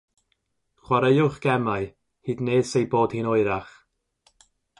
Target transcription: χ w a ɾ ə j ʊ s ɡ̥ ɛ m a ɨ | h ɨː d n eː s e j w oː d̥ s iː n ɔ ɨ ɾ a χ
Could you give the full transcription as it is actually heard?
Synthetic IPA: χ w a ɾ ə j ʊ χ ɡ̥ ɛ m a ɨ | h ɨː d n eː s e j b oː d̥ h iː n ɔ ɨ ɾ a χ